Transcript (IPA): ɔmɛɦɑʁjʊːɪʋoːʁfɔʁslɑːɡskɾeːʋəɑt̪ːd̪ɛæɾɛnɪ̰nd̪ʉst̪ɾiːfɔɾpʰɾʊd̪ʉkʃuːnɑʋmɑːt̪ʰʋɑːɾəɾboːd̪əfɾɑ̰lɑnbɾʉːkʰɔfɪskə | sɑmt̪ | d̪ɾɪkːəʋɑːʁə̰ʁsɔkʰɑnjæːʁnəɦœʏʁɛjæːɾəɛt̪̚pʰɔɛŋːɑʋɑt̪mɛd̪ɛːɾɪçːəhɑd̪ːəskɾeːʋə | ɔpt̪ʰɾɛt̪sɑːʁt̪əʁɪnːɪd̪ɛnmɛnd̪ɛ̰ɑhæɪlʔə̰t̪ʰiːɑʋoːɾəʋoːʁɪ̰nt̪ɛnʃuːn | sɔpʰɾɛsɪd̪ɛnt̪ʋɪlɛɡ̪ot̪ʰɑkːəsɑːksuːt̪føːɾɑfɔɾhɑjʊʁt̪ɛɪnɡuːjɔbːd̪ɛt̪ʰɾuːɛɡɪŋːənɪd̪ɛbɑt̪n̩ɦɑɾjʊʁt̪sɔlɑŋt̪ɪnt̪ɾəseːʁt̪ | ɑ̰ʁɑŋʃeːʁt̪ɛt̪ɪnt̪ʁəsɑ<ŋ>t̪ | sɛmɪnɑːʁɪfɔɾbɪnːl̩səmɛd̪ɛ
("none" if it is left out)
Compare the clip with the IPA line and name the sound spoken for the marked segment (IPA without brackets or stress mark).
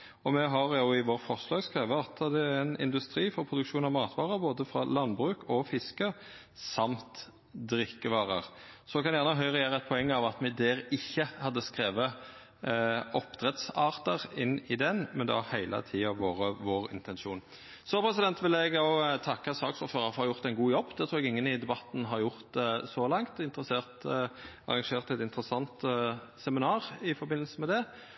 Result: n